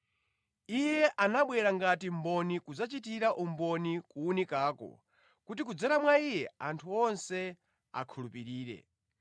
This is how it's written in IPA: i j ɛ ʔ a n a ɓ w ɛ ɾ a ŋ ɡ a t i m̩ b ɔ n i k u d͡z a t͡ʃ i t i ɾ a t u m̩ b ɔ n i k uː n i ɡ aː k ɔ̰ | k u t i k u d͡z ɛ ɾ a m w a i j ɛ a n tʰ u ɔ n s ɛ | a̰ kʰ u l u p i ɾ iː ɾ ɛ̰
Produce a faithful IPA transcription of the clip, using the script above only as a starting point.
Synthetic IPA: i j ɛ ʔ a n a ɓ w ɛ ɾ a ŋ ɡ a t i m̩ b ɔ n i k u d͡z a t͡ʃ i t i ɾ a ʔ u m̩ b ɔ n i k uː n i k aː k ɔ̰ | k u t i k u d͡z ɛ ɾ a m w a i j ɛ a n tʰ u ɔ n s ɛ | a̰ kʰ u l u p i ɾ iː ɾ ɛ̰